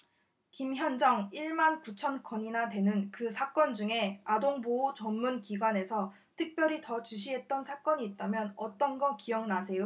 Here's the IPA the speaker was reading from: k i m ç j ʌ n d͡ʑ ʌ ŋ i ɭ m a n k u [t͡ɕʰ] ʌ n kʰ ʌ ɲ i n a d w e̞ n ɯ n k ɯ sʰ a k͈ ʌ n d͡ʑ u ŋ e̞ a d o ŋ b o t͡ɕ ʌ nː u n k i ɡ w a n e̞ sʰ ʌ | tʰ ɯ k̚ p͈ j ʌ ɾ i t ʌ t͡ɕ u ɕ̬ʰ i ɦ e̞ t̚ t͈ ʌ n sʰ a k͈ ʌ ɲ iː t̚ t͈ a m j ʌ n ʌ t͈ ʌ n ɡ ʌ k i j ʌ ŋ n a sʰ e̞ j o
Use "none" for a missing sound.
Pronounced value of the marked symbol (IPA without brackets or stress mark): t͡ɕʰ